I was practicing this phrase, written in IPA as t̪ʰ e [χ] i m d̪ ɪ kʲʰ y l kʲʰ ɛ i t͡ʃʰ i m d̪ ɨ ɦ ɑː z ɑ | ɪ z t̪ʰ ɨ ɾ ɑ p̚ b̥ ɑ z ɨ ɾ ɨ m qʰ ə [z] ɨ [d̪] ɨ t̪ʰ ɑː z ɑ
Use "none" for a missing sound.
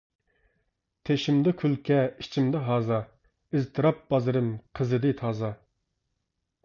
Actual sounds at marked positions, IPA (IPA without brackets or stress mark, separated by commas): ʃ, z, d̪